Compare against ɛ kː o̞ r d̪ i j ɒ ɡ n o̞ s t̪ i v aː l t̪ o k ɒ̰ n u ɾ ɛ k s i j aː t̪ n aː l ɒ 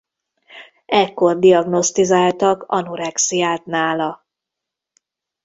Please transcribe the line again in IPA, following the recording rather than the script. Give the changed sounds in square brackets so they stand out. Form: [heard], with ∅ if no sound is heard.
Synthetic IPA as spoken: ɛ kː o̞ r d̪ i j ɒ ɡ n o̞ s t̪ i [z] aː l t̪ [ɒ] k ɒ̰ n u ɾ ɛ k s i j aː t̪ n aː l ɒ